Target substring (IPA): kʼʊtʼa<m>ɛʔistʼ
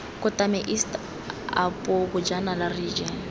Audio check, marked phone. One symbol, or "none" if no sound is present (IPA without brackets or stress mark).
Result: m